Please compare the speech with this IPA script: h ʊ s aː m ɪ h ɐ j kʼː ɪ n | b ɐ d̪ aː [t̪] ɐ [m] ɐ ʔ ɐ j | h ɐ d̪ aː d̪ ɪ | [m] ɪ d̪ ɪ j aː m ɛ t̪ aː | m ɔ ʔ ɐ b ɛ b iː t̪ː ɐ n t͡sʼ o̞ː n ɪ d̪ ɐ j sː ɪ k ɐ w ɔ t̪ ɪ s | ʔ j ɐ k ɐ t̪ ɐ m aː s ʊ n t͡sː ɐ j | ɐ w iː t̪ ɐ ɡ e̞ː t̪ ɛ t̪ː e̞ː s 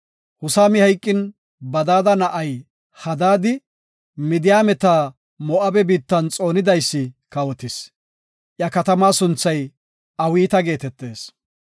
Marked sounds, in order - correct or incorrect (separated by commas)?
incorrect, incorrect, correct